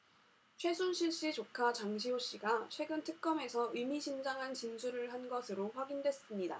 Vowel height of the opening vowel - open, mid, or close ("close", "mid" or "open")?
mid